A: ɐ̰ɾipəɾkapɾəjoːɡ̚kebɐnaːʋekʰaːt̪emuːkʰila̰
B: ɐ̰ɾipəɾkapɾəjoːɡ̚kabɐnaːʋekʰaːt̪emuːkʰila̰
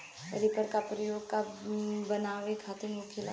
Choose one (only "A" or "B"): B